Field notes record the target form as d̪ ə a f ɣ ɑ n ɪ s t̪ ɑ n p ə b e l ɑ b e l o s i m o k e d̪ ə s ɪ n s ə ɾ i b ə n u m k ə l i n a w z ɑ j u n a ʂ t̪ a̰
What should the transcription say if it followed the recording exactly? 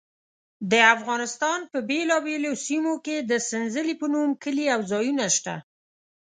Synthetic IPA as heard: d̪ ə a f ɣ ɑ n ɪ s t̪ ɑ n p ə b e l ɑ b e l o s i m o k e d̪ ə s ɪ n z ə l i p ə n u m k ə l i a w z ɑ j u n a ʃ t̪ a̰

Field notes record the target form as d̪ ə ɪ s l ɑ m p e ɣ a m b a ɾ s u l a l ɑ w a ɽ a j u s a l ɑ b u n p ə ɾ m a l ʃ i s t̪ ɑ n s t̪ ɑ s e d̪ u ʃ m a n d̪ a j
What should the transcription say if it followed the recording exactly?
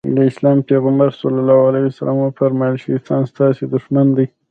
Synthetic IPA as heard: d̪ ə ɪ s l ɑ m p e ɣ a m b a ɾ s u l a l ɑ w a l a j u s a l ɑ m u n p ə ɾ m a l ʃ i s t̪ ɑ n s t̪ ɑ s e d̪ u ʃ m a n d̪ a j

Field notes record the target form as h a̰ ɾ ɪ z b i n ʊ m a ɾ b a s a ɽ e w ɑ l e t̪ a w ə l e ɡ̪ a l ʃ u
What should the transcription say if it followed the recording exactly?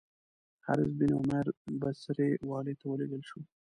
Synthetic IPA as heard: h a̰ ɾ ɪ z b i n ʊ m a ɾ b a s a ɾ e w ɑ l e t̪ a w ə l e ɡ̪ ə l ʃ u

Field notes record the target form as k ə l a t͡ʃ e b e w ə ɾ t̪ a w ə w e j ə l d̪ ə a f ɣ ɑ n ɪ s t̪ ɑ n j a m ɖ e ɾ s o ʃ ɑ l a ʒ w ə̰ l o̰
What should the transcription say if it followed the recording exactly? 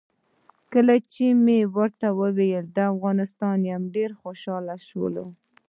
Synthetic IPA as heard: k ə l a t͡ʃ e m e w ə ɾ t̪ a w ə w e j ə l d̪ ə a f ɣ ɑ n ɪ s t̪ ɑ n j a m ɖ e ɾ x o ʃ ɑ l a ʃ w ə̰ l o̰

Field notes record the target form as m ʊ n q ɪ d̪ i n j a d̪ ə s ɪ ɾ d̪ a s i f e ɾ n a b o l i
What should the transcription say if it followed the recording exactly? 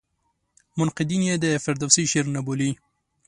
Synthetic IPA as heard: m ʊ n q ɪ d̪ i n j e d̪ ə f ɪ ɾ d̪ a s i ʃ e ɾ n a b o l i

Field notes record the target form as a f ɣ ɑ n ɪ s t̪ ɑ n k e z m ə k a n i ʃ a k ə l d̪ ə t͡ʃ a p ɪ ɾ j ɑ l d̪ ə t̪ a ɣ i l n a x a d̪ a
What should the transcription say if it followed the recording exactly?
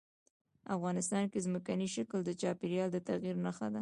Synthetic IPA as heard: a f ɣ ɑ n ɪ s t̪ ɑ n k e z m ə k a n i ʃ a k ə l d̪ ə t͡ʃ ɑ p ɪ ɾ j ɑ l d̪ ə t̪ a ɣ i ɾ n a x a d̪ a

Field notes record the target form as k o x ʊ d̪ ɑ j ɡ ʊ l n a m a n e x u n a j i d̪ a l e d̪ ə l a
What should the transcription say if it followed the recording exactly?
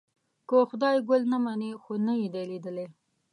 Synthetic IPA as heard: k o x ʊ d̪ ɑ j ɡ ʊ l n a m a n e x o n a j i d̪ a l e d̪ ə l e

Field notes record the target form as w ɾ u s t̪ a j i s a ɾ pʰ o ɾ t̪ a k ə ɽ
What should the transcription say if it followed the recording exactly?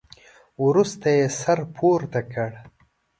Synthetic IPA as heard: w ɾ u s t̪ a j e s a ɾ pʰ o ɾ t̪ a k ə ɽ

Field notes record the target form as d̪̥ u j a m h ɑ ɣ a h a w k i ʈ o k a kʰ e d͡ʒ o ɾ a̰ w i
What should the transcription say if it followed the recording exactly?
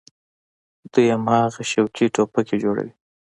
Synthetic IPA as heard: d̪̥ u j a m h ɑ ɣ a ʃ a w k i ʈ o p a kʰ e d͡ʒ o ɽ a̰ w i

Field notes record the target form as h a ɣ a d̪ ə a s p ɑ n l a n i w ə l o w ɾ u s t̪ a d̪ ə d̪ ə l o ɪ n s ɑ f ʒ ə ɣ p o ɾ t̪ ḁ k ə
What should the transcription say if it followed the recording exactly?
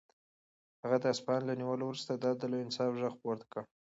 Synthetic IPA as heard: h a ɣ a d̪ ə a s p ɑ n l a n i w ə l o w ɾ u s t̪ a d̪ ɑ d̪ ə l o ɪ n s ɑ f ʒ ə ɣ p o ɾ t̪ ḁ k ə

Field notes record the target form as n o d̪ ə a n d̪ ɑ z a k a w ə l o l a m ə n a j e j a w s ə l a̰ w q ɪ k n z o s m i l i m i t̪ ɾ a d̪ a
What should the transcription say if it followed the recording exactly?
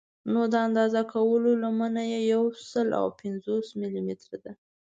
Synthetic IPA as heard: n o d̪ ə a n d̪ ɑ z a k a w ə l o l a m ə n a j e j a w s ə l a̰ w p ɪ n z o s m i l i m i t̪ ɾ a d̪ a

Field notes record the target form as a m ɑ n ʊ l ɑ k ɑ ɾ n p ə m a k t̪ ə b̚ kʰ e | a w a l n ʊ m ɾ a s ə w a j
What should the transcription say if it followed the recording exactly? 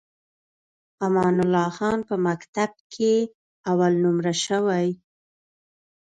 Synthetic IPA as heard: a m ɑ n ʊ l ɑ x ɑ n p ə m a k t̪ a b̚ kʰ e | a w a l n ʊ m ɾ a ʃ ə w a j

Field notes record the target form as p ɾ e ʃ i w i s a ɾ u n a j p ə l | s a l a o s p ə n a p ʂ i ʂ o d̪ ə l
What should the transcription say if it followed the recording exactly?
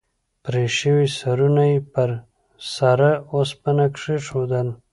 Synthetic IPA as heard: p ɾ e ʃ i w i s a ɾ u n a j p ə ɾ | s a ɾ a o s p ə n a k ʂ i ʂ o d̪ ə l

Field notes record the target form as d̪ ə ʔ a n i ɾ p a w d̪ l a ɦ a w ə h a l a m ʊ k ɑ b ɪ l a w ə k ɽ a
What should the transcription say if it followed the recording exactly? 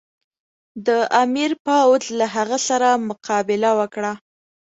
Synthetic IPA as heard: d̪ ə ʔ a m i ɾ p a w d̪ l a ɦ a ɣ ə s a ɾ a m ʊ q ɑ b ɪ l a w ə k ɽ a

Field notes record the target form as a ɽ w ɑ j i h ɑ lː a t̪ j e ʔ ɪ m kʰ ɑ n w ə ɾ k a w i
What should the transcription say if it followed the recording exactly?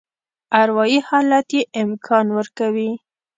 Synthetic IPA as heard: a ɾ w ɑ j i h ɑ l a t̪ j e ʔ ɪ m kʰ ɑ n w ə ɾ k a w i

